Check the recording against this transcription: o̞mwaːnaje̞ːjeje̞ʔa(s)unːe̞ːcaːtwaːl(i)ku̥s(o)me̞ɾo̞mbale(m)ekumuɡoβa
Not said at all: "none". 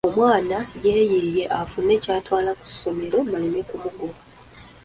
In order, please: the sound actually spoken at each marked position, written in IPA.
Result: f, a, o, m

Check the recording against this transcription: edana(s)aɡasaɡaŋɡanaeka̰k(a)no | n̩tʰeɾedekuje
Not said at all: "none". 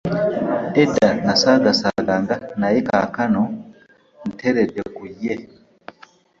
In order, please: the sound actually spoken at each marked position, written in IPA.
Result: s, a

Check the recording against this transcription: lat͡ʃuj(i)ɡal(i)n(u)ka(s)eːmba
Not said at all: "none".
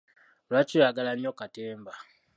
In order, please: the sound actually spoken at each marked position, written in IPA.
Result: a, a, o, t

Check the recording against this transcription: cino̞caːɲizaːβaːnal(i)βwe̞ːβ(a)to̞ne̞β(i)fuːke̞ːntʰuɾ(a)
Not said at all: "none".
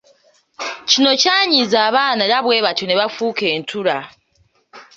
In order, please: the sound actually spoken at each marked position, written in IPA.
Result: a, a, a, a

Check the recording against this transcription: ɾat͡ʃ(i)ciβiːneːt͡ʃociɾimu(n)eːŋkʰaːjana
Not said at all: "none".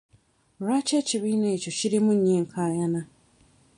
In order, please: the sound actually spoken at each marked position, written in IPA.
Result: e, ɲ

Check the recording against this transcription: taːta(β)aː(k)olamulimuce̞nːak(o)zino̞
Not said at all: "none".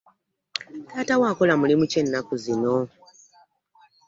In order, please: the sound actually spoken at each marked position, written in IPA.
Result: w, k, u

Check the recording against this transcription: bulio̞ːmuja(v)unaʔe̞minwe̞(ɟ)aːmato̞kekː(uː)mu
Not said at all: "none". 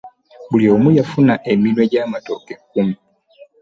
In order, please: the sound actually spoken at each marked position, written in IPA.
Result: f, ɟ, u

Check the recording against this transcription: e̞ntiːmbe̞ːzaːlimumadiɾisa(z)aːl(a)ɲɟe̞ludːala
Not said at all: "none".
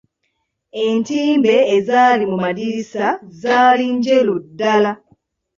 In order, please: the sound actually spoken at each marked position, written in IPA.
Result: z, i

